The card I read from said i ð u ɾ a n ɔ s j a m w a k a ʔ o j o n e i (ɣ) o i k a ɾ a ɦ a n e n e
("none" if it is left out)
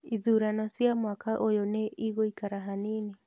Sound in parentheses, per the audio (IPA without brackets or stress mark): ɣ